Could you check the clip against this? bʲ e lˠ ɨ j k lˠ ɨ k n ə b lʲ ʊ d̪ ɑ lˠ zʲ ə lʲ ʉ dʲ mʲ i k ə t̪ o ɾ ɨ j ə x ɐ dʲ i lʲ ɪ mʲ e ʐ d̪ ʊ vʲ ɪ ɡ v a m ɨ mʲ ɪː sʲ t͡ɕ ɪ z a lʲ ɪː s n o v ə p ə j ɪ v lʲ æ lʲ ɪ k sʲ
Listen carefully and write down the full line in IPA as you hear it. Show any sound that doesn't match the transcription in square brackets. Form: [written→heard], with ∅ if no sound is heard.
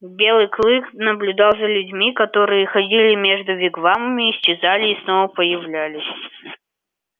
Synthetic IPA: bʲ e lˠ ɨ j k lˠ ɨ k n ə b lʲ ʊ d̪ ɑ lˠ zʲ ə lʲ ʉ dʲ mʲ i k [ə→ɐ] t̪ o ɾ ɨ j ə x ɐ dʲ i lʲ ɪ mʲ e ʐ d̪ ʊ vʲ ɪ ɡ v a m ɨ mʲ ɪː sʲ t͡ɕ ɪ z a lʲ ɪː s n o v ə p ə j ɪ v lʲ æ lʲ ɪ [k→∅] sʲ